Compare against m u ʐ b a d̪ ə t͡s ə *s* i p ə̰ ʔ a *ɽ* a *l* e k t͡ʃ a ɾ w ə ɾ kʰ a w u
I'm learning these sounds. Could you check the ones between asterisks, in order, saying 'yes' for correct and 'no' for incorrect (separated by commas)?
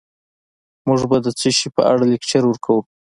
no, yes, yes